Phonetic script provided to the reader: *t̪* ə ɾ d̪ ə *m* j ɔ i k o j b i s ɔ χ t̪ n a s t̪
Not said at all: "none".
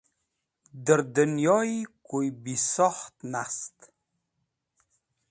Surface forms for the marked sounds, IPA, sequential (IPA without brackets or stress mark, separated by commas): d̪, n